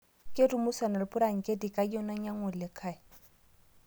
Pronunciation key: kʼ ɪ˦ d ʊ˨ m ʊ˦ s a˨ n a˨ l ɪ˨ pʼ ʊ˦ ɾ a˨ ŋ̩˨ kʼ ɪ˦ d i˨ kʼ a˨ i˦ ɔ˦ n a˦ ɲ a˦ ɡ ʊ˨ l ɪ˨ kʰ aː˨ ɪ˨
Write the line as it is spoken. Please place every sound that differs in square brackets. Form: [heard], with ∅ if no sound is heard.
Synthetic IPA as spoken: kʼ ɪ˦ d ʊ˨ m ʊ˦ s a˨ n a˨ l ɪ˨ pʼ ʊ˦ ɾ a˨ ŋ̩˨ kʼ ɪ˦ d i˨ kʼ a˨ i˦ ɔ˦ n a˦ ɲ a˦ [ŋ] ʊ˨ l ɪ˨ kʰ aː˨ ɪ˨